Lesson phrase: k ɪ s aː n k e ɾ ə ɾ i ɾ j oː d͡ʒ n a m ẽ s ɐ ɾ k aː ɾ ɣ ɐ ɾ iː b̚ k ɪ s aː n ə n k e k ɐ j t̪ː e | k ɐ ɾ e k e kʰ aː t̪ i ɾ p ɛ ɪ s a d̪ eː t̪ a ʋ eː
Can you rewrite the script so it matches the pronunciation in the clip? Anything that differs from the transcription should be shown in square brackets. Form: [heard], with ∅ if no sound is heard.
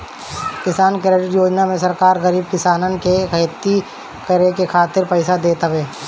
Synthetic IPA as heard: k ɪ s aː n k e ɾ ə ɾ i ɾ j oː d͡ʒ n a m ẽ s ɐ ɾ k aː ɾ ɣ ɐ ɾ iː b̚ k ɪ s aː n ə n k e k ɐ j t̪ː [i] | k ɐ ɾ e k e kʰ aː t̪ [ɪ] ɾ p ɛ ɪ s a d̪ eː t̪ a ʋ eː